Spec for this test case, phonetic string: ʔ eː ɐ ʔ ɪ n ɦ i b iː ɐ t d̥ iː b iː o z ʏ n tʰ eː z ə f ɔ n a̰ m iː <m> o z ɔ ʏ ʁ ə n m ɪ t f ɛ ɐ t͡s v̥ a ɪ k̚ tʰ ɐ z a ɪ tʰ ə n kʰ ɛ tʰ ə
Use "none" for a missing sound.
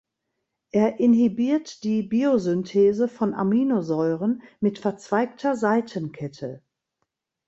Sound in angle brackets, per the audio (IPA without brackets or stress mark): n